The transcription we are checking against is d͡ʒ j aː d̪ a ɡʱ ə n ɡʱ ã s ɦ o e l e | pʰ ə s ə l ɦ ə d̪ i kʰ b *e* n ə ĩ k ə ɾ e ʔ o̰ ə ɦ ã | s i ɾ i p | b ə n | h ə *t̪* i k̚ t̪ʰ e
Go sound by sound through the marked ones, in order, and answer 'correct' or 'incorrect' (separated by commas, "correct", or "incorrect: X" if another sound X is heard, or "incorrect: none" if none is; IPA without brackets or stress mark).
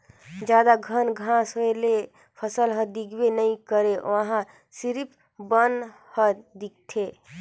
correct, incorrect: d̪